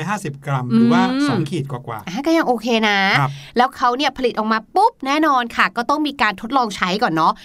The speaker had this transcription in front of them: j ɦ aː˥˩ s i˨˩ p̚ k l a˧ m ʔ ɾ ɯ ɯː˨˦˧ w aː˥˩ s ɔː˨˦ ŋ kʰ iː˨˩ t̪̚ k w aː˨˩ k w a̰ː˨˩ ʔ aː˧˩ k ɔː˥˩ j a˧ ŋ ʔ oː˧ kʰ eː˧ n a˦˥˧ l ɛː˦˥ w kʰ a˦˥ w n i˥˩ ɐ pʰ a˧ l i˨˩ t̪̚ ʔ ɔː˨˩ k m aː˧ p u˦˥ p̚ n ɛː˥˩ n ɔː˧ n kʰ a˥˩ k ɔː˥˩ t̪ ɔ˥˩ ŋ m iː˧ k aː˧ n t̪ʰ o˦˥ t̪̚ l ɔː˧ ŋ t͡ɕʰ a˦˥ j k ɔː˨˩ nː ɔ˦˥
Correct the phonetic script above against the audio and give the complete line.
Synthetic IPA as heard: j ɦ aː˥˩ s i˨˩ p̚ k ɾ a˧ m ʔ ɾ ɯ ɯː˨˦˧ w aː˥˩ s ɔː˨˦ ŋ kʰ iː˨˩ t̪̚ k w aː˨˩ k w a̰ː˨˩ ʔ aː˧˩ k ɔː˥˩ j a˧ ŋ ʔ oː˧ kʰ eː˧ n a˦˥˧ l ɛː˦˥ w kʰ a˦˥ w n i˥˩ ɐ pʰ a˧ l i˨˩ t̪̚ ʔ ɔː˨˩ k m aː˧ p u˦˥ p̚ n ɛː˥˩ n ɔː˧ n kʰ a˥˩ k ɔː˥˩ t̪ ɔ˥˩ ŋ m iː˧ k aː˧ n t̪ʰ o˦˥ t̪̚ l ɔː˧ ŋ t͡ɕʰ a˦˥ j k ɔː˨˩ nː ɔ˦˥